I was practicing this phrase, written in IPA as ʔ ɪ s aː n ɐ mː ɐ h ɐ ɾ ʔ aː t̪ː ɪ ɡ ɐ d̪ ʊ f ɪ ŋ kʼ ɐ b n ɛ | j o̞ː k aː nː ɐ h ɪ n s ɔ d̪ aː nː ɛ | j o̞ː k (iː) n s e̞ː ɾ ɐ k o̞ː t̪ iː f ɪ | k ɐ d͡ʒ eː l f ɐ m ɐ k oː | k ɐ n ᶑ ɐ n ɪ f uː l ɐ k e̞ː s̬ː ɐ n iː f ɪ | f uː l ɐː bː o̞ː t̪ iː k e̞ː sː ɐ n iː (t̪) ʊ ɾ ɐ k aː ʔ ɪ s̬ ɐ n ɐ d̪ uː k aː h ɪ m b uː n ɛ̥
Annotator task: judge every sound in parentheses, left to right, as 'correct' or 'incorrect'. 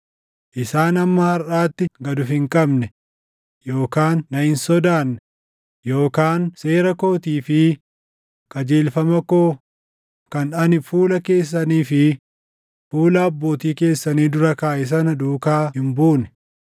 incorrect, incorrect

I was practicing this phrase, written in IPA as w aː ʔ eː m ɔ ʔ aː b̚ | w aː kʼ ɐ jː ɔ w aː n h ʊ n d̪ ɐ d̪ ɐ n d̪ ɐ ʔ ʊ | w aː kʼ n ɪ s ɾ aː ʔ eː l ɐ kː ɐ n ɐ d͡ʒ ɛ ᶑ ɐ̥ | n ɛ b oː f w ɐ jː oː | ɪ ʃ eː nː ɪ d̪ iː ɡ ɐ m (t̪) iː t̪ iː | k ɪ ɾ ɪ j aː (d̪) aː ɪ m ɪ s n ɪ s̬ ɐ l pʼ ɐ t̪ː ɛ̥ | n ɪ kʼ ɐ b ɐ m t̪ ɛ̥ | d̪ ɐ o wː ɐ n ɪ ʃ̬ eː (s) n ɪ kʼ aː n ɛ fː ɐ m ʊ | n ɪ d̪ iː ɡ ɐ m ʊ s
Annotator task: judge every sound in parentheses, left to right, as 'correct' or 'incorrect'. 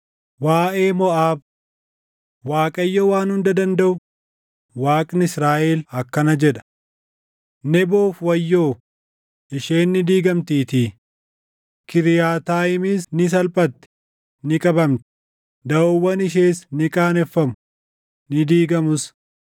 correct, incorrect, correct

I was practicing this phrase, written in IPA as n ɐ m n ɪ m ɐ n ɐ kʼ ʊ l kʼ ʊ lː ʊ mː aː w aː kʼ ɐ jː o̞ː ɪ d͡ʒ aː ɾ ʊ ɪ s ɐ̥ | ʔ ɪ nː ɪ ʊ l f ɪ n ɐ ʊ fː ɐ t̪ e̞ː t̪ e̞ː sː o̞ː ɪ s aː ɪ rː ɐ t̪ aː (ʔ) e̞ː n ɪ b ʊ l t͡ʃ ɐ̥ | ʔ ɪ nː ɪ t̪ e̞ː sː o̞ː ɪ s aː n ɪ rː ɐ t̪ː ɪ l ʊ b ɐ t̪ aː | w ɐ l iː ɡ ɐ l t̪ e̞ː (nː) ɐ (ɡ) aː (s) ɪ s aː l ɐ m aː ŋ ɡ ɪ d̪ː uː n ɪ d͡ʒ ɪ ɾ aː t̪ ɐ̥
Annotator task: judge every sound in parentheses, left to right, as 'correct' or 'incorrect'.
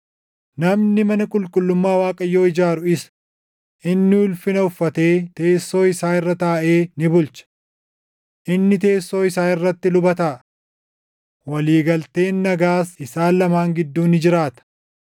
correct, correct, correct, correct

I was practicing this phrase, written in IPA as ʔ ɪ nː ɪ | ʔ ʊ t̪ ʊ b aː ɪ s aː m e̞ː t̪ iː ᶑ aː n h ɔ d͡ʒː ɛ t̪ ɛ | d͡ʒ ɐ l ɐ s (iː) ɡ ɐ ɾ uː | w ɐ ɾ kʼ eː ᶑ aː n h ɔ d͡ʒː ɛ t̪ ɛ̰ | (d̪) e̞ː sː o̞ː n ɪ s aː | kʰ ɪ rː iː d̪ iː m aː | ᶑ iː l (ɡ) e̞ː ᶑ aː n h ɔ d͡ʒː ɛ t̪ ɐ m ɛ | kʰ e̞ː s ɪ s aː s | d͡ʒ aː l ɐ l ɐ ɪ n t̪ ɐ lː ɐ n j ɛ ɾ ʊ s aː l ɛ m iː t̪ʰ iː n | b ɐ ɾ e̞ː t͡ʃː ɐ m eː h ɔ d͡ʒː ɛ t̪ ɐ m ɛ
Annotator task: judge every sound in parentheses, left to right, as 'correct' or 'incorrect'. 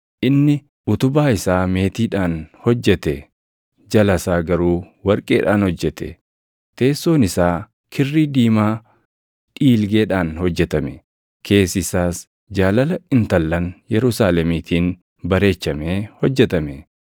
incorrect, incorrect, correct

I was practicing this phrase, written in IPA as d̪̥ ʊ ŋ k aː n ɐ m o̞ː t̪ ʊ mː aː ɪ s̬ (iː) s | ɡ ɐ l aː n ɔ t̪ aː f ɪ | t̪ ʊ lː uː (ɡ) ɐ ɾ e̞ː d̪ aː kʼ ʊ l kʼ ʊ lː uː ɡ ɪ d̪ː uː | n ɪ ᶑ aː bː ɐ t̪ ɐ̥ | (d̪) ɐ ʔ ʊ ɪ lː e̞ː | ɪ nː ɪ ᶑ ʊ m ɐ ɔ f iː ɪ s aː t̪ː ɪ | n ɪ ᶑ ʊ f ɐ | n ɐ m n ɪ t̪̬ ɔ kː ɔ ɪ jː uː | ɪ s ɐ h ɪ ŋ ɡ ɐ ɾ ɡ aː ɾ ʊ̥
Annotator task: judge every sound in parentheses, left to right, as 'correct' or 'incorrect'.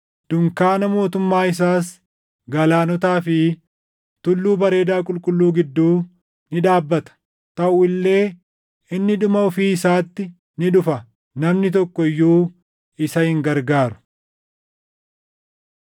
incorrect, incorrect, incorrect

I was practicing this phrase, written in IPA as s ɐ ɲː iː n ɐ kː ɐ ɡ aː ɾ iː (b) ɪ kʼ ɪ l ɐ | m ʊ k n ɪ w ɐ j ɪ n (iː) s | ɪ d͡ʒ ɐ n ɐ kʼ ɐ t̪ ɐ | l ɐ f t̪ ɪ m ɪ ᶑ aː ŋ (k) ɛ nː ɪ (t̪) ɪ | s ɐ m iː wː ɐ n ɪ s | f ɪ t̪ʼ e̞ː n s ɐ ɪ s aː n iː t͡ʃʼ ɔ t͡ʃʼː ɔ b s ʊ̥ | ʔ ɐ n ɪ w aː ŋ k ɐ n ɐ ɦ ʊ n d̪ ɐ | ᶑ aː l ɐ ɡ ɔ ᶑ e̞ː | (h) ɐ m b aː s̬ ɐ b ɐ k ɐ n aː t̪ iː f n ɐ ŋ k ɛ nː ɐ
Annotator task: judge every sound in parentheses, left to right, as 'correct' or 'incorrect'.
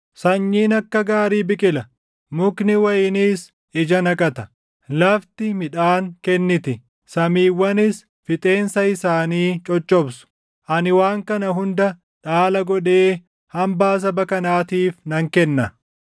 correct, correct, correct, correct, correct

